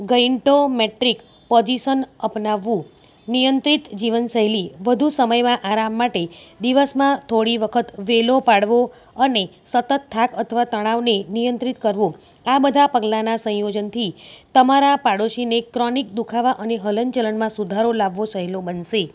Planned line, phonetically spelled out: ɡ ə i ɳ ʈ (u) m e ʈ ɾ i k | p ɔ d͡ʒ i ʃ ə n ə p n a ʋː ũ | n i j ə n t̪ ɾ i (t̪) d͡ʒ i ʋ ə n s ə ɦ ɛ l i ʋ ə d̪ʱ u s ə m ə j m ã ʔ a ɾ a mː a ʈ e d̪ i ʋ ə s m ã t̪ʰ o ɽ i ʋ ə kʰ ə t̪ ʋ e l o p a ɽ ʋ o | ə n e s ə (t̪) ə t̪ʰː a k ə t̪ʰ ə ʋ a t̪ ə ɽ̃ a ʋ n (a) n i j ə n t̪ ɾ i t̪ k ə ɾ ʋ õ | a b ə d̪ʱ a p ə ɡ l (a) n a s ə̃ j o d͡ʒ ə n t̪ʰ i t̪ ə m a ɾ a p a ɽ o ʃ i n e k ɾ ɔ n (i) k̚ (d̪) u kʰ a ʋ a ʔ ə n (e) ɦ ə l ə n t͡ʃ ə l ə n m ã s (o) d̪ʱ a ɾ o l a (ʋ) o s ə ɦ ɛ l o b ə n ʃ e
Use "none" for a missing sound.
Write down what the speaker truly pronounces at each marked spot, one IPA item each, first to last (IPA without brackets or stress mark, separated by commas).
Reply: o, t̪, t̪, e, a, i, d̪, e, u, ʋː